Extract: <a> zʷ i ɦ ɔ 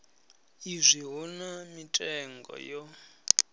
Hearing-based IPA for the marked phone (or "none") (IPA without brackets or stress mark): i